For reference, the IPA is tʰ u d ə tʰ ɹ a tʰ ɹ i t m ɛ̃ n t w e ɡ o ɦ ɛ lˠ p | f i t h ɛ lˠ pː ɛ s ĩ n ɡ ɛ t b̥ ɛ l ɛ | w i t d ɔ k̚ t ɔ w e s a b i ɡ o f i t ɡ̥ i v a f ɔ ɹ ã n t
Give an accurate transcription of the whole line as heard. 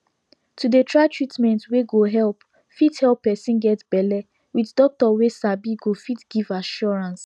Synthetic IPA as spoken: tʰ u d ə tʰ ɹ a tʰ ɹ i t m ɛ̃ n t w e ɡ o ɦ ɛ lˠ p | f i t h ɛ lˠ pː ɛ s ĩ n ɡ ɛ t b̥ ɛ l ɛ | w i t d ɔ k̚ t ɔ w e s a b i ɡ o f i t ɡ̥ i v a ʃ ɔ ɹ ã n s